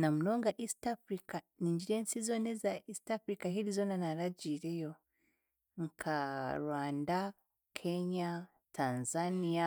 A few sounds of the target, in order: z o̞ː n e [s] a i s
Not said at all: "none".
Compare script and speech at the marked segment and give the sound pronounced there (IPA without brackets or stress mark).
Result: z